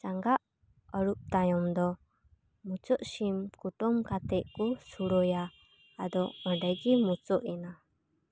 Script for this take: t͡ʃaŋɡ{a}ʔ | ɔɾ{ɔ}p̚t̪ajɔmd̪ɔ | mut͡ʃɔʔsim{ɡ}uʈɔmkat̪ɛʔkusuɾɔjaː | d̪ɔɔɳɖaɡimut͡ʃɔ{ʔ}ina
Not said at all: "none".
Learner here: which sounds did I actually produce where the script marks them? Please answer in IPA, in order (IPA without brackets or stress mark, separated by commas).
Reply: a, u, k, ʔ